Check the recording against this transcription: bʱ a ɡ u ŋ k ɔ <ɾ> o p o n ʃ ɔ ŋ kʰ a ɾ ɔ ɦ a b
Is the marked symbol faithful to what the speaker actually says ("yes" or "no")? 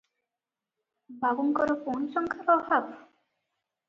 yes